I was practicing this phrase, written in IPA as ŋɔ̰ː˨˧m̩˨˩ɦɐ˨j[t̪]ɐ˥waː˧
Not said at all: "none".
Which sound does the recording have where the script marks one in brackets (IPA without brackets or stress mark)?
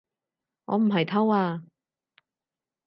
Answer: t̪ʰ